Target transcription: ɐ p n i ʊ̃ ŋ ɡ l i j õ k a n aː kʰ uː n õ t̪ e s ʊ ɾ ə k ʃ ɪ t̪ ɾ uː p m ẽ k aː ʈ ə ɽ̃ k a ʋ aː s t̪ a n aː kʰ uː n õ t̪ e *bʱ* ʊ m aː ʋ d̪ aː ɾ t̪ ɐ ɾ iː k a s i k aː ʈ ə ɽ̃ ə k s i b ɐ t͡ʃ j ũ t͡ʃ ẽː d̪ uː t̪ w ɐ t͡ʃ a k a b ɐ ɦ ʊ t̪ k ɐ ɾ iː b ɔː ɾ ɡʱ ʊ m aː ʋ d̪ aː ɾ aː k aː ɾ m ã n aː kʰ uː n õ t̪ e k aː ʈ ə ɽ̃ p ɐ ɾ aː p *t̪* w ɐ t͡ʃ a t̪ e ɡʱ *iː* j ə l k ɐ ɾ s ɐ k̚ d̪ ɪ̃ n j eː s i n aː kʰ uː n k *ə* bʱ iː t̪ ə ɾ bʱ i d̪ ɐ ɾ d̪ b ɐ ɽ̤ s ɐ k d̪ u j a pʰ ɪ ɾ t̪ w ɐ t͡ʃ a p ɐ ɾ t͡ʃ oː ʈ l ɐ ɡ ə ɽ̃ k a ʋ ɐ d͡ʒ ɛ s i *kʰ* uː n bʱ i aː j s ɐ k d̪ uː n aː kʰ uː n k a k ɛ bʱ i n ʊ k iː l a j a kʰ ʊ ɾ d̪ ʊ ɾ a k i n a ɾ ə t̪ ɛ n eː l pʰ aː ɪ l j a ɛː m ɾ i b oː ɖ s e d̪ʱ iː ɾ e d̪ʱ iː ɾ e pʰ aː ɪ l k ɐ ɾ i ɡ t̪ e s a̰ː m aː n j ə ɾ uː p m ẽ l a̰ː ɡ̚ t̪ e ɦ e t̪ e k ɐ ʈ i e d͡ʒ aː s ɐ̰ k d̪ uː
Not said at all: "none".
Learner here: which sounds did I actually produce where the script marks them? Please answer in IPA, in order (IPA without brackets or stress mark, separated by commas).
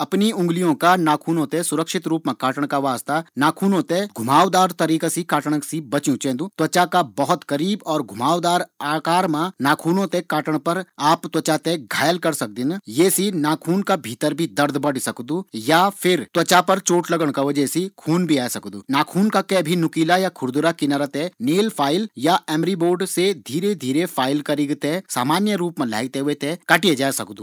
ɡʱ, t̪, aː, a, kʰ